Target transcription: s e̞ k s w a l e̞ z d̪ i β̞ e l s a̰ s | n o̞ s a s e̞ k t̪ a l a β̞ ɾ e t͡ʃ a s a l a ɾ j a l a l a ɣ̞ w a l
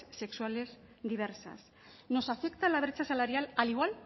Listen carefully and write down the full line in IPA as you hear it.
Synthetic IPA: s e̞ k s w a l e̞ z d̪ i β̞ e ɾ s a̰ s | n o̞ s a f e̞ k t̪ a l a β̞ ɾ e t͡ʃ a s a l a ɾ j a l a l i ɣ̞ w a l